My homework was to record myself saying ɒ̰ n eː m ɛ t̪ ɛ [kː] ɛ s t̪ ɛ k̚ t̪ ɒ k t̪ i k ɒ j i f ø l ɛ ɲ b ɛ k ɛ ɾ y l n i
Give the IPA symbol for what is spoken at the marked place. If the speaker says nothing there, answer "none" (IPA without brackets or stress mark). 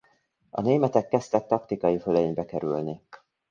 kː